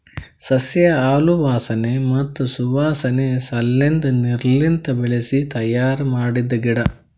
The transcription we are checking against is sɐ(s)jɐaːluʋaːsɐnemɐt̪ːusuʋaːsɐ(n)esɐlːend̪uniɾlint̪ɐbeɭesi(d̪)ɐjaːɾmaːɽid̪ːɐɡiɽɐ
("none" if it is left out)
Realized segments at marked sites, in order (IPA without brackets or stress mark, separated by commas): s, n, t̪